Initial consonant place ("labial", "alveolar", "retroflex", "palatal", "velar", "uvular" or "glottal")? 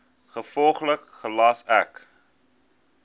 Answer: uvular